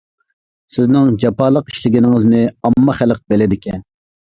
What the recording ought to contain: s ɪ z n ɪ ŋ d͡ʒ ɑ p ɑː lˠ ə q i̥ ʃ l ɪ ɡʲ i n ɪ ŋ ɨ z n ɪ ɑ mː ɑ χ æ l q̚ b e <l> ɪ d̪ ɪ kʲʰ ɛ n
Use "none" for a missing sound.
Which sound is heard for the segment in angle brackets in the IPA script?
l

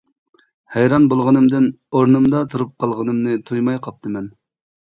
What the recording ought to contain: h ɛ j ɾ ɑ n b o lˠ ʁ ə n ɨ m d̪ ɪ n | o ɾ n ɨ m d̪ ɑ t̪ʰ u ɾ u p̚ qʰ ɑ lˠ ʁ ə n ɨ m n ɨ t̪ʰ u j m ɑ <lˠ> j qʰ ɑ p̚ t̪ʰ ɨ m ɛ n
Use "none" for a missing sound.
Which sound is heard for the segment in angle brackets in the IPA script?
none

